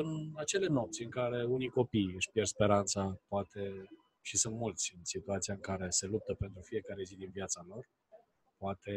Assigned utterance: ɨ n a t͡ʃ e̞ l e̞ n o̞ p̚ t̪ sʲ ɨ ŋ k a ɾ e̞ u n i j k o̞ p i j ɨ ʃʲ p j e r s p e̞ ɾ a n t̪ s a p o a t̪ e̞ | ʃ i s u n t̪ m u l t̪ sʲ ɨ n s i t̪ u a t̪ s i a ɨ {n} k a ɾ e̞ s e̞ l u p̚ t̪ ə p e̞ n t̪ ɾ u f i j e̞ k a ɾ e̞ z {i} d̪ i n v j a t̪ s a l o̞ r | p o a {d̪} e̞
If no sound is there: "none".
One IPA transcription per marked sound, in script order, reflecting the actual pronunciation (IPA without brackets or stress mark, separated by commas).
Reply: ŋ, i, t̪